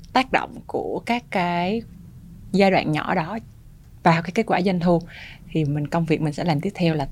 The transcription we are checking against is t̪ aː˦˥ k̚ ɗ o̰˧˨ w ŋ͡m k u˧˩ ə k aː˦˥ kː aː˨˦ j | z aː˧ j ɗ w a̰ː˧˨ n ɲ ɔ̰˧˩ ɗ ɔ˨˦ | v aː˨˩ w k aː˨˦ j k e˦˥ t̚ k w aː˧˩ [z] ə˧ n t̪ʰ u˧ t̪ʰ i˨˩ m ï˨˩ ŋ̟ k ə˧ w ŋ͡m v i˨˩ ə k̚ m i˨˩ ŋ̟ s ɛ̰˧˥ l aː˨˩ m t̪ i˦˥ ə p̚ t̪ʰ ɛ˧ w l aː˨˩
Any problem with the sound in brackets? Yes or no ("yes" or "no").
no